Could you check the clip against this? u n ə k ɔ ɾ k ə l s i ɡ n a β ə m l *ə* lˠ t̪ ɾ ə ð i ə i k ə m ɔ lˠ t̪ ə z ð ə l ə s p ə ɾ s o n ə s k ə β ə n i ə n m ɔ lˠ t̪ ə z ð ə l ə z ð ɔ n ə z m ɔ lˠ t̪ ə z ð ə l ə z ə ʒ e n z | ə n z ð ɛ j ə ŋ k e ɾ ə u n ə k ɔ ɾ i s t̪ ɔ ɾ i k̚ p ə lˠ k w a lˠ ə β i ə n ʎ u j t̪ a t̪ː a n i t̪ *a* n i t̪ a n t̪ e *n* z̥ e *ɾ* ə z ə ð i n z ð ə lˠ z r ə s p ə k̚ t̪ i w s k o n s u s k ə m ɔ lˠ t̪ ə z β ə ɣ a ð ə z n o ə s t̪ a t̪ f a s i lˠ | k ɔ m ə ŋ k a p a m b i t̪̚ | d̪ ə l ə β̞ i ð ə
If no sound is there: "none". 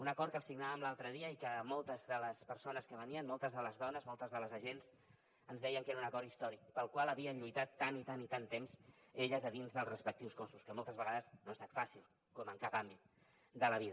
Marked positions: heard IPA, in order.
a, a, m, ʎ

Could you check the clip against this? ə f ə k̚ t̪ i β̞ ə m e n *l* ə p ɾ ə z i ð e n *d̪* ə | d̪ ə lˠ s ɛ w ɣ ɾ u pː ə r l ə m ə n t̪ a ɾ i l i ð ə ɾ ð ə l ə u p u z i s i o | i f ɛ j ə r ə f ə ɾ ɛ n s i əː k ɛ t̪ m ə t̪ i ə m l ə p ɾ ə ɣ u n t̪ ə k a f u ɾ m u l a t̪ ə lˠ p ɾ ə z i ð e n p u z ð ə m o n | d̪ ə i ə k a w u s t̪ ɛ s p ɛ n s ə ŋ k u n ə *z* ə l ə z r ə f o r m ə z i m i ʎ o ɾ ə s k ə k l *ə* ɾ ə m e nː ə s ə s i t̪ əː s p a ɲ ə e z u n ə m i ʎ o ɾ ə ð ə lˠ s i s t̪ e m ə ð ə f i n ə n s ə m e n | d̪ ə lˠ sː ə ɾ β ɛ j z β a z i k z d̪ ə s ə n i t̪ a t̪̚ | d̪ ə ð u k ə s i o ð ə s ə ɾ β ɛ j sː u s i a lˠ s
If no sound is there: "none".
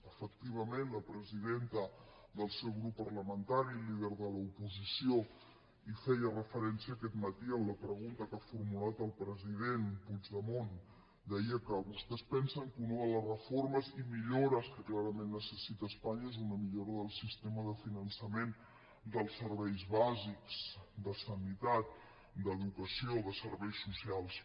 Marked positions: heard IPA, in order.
l, t̪, ð, a

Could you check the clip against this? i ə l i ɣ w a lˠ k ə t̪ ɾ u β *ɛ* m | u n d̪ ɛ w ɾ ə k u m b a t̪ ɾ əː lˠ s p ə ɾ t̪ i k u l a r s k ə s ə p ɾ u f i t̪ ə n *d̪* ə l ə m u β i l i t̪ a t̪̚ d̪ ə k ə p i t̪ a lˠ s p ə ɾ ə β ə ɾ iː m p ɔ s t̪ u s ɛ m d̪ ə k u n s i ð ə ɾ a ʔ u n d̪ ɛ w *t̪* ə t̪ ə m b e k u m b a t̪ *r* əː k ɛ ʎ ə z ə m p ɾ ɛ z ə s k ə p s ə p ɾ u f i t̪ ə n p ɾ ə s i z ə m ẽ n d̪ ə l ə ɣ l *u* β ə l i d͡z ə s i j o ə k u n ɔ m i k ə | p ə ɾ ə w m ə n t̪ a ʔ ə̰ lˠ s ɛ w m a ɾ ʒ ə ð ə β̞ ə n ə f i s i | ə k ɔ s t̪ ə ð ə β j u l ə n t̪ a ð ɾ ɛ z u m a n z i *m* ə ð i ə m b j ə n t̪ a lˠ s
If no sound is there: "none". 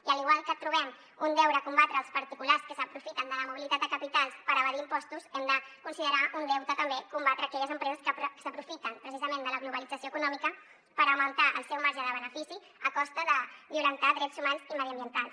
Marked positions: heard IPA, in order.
ɛ, d̪, t̪, ɾ, u, m

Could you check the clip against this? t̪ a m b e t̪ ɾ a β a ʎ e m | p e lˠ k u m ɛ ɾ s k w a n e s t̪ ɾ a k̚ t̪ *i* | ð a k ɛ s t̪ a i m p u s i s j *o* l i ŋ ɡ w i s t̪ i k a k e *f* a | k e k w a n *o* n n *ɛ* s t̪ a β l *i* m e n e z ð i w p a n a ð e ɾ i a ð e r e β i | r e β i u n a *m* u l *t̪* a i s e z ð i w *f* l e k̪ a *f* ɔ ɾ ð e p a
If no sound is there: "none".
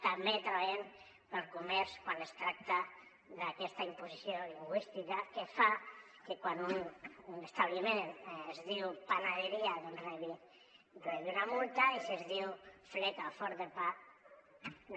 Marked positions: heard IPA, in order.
a, o, f, u, e, i, m, t̪, f, f

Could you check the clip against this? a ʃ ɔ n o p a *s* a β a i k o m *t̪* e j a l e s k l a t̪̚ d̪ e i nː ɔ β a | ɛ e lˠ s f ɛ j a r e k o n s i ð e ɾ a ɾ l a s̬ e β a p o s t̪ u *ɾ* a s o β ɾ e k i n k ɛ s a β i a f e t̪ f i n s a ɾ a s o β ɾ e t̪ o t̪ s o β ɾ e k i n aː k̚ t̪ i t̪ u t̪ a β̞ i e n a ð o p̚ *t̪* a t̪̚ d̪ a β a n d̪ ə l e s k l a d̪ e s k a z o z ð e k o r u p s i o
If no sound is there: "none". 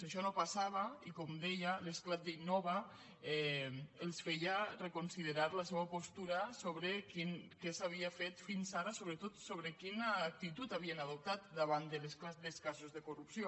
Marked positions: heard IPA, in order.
s, d̪, ɾ, t̪

